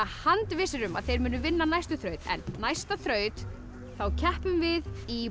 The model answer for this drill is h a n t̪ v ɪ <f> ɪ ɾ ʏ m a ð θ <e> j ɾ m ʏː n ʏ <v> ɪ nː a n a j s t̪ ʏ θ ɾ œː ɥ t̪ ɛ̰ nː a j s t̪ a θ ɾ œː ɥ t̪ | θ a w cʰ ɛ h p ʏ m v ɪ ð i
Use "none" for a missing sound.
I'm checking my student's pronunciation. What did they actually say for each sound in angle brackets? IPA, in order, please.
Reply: s, e, v

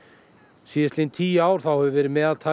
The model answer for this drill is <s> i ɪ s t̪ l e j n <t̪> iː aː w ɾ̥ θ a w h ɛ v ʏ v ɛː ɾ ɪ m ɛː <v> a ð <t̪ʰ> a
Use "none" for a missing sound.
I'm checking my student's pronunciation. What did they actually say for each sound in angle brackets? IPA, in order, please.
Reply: s, t̪ʰ, ð, t̪ʰ

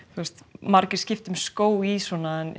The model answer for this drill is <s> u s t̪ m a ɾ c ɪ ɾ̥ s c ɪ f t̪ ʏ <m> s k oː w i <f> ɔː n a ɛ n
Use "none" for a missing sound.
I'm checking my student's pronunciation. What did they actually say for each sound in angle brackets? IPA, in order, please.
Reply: θ, m, s

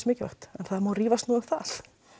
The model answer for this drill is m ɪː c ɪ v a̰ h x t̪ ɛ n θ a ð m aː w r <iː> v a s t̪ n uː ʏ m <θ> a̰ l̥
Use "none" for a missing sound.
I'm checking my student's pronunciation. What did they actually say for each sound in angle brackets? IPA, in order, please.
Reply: iː, θ

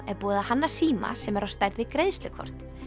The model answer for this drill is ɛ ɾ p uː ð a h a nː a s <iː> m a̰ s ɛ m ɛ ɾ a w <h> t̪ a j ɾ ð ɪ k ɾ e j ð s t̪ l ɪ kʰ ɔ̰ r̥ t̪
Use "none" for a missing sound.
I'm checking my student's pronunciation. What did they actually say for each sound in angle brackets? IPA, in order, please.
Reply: iː, s

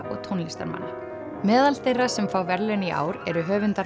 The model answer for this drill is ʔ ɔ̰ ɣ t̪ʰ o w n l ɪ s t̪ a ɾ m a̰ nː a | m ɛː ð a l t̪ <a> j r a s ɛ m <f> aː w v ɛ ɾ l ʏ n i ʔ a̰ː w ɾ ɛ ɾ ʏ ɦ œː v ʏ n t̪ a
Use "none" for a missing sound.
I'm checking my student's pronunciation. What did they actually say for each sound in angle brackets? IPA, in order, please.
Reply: e, f

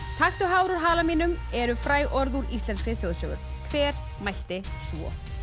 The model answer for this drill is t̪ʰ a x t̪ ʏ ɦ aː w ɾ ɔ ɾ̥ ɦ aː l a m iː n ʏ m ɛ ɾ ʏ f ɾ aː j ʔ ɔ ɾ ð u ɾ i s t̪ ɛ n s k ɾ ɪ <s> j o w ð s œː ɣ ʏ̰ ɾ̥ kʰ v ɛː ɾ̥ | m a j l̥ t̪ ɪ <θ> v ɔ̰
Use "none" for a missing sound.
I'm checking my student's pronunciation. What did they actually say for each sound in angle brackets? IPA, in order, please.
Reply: θ, s

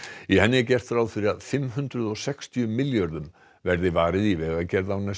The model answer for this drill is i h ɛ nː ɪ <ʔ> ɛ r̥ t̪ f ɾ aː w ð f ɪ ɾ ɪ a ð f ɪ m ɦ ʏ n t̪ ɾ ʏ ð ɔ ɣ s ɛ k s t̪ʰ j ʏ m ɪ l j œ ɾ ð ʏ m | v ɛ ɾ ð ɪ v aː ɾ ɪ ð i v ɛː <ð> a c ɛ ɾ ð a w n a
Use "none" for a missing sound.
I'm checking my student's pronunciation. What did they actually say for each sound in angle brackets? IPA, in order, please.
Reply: c, ɣ

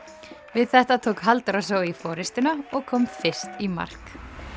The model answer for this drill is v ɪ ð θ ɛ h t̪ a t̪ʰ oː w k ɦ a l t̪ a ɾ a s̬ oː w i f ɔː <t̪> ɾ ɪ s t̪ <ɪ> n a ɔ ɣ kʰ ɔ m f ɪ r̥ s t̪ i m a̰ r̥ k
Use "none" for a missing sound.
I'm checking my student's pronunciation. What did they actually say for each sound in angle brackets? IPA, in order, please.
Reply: none, ɪ

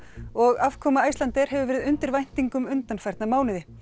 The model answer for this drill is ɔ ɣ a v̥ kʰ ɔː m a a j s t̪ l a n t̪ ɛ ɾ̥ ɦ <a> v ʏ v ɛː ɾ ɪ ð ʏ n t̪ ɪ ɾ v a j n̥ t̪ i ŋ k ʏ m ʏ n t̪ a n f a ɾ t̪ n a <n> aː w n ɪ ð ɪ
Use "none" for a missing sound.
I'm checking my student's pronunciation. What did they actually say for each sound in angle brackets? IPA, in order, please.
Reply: ɛ, m

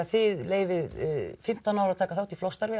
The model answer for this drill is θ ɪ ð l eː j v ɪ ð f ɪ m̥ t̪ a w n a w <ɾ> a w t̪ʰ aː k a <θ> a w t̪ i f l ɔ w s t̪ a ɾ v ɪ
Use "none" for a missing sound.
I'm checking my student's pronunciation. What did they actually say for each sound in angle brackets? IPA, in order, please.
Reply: ɾ, θ

